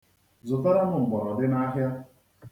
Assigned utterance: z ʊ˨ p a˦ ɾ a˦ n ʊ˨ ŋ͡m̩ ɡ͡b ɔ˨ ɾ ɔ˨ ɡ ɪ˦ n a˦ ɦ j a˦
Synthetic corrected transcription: z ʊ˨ t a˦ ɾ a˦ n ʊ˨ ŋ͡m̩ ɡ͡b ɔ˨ ɾ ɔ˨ d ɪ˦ n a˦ ɦ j a˦